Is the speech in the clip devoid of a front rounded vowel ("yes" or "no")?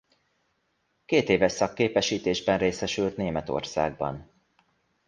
no